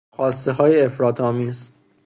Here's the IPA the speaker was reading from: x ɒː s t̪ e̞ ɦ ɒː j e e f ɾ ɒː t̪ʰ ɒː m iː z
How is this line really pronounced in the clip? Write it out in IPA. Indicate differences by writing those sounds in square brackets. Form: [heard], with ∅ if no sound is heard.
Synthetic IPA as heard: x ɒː s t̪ e̞ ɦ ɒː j e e f ɾ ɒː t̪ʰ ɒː m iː z